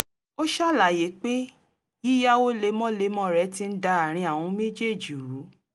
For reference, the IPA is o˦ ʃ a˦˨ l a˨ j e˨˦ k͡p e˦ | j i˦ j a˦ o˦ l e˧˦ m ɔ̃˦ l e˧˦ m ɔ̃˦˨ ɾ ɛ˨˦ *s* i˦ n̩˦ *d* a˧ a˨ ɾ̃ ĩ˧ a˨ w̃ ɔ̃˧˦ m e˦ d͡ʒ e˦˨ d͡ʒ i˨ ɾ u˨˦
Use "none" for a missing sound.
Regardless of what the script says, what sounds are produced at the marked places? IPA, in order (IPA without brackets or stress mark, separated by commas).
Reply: t, d